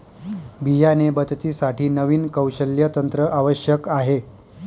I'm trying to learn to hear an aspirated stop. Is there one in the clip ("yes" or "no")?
no